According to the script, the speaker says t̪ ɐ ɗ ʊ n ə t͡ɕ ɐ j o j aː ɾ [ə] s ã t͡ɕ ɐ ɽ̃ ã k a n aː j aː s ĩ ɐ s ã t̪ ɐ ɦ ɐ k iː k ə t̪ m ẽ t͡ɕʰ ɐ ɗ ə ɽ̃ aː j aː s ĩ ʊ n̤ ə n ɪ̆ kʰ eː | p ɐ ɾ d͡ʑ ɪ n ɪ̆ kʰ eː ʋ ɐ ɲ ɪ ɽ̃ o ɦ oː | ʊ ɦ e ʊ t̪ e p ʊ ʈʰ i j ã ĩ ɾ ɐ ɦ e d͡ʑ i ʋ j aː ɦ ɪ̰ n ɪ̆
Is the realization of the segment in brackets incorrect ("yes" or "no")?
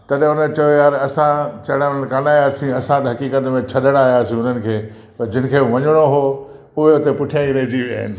yes